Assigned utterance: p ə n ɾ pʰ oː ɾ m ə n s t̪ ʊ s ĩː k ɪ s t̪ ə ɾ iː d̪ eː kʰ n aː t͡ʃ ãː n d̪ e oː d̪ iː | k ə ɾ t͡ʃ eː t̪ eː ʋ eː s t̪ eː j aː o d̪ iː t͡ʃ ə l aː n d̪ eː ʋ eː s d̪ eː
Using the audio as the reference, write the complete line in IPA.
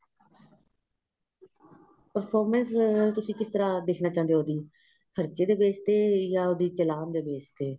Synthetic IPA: p ə ɾ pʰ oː ɾ m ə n s t̪ ʊ s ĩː k ɪ s t̪ ə ɾ aː d̪ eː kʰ n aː t͡ʃ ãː n d̪ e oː d̪ iː | kʰ ə ɾ t͡ʃ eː d̪ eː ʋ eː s t̪ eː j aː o d̪ iː t͡ʃ ə l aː n d̪ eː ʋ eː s t̪ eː